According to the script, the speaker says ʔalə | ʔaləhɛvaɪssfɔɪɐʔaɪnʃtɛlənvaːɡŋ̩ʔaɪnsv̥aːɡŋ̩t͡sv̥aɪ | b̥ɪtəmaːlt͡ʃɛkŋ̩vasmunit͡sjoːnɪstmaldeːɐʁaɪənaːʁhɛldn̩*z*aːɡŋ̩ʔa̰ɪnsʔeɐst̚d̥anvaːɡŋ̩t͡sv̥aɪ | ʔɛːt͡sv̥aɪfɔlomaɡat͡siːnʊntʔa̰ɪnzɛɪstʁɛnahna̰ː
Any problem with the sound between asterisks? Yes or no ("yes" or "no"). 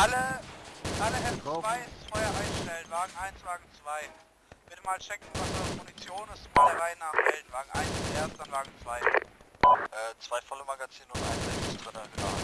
yes